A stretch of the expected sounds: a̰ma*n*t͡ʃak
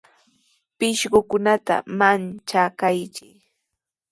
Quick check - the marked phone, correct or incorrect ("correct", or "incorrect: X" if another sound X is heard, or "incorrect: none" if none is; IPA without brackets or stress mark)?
correct